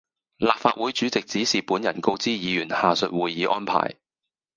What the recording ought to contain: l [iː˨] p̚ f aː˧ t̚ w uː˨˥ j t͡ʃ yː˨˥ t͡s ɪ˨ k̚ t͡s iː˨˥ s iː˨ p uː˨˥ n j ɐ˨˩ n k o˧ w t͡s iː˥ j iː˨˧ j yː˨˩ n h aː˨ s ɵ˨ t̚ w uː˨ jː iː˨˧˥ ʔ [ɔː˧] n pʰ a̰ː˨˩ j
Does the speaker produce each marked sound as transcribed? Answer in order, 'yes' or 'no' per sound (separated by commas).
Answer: no, no